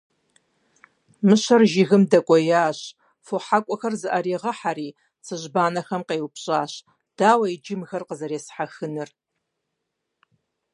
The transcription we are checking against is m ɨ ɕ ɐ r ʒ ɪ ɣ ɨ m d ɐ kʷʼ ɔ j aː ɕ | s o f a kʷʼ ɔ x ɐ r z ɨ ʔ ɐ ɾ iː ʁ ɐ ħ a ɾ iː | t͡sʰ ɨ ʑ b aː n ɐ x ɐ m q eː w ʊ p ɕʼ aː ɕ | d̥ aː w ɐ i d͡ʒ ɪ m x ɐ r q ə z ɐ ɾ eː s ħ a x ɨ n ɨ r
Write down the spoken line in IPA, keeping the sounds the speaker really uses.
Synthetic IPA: m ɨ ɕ ɐ r ʒ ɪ ɣ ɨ m d ɐ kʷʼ ɔ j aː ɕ | f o ħ a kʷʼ ɔ x ɐ r z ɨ ʔ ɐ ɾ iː ʁ ɐ ħ a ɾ iː | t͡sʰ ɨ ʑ b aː n ɐ x ɐ m q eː w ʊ p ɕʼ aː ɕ | d̥ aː w ɐ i d͡ʒ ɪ m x ɐ r q ə z ɐ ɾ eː s ħ a x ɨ n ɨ r